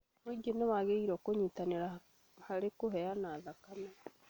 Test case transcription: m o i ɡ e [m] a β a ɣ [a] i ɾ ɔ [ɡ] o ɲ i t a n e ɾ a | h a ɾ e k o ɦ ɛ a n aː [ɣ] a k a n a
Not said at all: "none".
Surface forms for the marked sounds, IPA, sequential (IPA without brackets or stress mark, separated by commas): n, e, k, ð